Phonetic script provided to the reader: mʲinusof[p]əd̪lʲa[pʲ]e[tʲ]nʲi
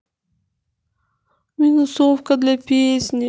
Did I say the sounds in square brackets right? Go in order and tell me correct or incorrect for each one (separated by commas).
incorrect, correct, incorrect